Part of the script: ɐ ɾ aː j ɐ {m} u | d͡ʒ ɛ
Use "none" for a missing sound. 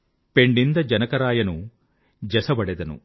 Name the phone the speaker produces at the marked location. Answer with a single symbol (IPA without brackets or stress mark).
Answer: n